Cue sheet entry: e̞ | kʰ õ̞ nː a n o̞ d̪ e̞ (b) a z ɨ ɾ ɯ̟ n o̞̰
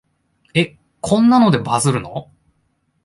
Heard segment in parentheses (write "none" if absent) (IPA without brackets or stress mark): b